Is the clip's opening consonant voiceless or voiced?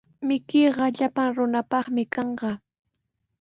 voiced